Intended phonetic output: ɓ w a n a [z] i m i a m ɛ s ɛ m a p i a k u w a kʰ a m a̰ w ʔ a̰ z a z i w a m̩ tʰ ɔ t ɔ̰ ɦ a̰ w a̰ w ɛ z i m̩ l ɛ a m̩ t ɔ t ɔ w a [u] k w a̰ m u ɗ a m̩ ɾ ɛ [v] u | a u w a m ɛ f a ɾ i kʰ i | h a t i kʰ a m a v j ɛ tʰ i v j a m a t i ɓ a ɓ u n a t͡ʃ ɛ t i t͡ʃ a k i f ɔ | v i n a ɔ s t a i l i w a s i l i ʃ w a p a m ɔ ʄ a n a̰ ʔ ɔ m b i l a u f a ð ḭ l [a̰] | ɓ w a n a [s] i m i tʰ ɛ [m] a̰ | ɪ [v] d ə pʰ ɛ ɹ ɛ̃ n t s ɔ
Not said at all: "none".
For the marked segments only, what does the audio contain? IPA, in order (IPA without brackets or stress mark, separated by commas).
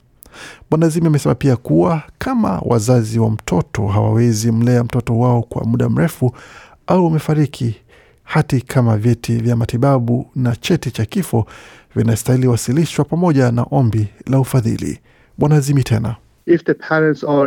z, ɔ, f, ḭ, z, n, f